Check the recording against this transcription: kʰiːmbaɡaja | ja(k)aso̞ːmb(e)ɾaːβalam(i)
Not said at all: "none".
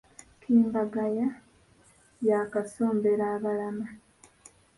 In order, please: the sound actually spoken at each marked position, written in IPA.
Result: k, e, a

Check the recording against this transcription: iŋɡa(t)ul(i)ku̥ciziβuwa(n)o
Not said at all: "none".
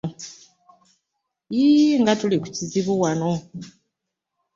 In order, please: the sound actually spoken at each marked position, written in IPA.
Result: t, i, n

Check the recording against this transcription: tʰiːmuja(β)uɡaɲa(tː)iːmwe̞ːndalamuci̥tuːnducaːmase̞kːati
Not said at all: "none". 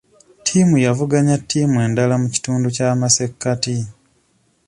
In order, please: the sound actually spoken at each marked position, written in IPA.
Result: v, tː

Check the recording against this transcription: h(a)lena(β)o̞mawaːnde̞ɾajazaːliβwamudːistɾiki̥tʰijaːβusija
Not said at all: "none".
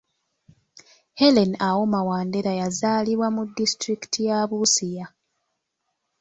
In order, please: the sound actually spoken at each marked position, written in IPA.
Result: e, w

